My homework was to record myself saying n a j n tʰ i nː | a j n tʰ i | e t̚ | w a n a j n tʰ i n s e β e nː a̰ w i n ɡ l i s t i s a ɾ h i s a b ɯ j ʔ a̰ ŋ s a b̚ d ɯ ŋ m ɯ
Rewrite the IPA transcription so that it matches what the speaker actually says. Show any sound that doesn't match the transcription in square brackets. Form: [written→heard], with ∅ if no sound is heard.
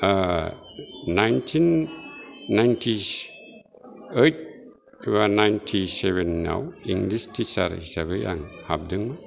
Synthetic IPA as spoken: n a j n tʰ i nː | a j n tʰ i | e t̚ | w a n a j n tʰ i [n→∅] s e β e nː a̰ w i [n→ŋ] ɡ l i s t i s a ɾ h i s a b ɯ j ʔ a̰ ŋ [s→h] a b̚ d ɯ ŋ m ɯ

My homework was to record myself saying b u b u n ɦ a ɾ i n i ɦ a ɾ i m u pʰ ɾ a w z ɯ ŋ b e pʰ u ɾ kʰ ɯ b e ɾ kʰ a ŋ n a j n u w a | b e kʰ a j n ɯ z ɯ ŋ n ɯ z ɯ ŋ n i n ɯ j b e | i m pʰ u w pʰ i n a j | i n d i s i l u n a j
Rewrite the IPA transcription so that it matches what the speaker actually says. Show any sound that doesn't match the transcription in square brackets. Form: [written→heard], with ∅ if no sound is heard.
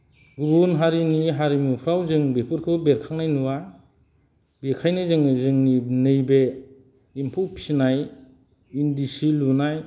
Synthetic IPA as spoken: [b→ɡ] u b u n ɦ a ɾ i n i ɦ a ɾ i m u pʰ ɾ a w z ɯ ŋ b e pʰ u ɾ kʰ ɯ b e ɾ kʰ a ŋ n a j n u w a | b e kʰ a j n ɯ z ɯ ŋ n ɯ z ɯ ŋ n i n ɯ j b e | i m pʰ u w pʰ i n a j | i n d i s i l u n a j

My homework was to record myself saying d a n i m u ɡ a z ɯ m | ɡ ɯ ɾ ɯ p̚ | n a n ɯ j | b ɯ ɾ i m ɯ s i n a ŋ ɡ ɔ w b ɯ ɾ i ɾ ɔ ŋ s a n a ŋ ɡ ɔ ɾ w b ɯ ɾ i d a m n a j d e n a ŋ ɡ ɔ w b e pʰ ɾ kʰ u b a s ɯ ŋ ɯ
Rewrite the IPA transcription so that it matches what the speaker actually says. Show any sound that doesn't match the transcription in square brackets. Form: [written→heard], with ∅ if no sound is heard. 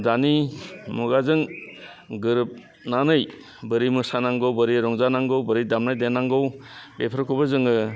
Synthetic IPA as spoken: d a n i m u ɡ a z ɯ [m→ŋ] | ɡ ɯ ɾ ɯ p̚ | n a n ɯ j | b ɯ ɾ i m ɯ s [i→a] n a ŋ ɡ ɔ w b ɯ ɾ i ɾ ɔ ŋ [s→z] a n a ŋ ɡ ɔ [ɾ→∅] w b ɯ ɾ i d a m n a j d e n a ŋ ɡ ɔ w b e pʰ ɾ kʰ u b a [s→z] ɯ ŋ ɯ

